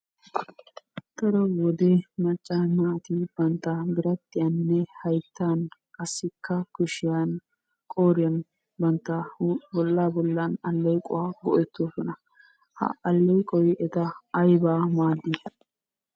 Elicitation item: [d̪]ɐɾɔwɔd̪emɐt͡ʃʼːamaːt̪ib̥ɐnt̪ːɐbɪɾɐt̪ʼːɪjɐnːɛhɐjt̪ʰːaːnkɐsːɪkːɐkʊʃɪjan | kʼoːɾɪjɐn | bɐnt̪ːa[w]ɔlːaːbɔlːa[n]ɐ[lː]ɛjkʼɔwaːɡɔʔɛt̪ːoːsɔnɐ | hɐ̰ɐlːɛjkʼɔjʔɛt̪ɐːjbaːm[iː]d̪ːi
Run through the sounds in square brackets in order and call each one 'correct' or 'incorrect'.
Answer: incorrect, incorrect, correct, correct, incorrect

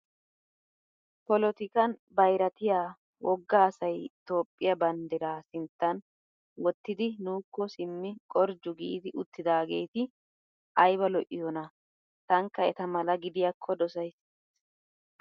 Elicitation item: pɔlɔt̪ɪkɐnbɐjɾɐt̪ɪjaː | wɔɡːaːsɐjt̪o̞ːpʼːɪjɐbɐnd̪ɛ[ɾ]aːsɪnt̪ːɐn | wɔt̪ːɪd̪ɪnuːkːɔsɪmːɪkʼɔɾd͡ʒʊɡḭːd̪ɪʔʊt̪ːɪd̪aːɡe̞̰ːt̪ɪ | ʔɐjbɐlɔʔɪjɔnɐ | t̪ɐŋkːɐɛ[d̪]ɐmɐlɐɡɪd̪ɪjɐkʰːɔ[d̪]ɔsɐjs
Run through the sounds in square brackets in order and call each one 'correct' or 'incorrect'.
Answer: correct, incorrect, correct

